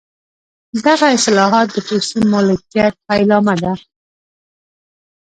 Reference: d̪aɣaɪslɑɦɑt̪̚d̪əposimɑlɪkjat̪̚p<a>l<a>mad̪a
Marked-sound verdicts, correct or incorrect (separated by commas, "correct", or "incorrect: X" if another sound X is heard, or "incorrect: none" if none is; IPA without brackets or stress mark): correct, incorrect: ɑ